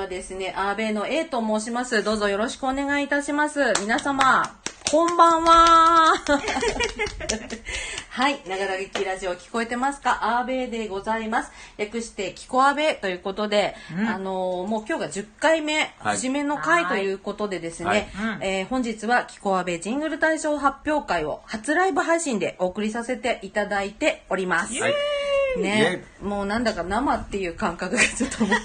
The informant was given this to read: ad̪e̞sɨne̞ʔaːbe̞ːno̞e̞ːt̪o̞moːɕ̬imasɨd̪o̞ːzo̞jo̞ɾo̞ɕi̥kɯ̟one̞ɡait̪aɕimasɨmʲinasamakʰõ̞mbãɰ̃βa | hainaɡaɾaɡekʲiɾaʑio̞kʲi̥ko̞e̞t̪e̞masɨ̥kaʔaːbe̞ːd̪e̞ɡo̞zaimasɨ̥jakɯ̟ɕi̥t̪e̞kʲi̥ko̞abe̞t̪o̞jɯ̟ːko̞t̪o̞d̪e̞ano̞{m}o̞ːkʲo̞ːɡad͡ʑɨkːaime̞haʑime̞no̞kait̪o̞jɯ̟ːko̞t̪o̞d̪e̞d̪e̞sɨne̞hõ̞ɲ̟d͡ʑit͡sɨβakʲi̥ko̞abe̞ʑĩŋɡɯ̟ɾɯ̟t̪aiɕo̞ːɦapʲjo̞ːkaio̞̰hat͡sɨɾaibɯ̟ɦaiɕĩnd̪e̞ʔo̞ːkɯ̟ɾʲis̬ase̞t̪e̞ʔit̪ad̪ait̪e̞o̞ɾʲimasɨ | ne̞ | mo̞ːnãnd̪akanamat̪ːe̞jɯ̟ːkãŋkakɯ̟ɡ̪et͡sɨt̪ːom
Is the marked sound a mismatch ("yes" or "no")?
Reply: no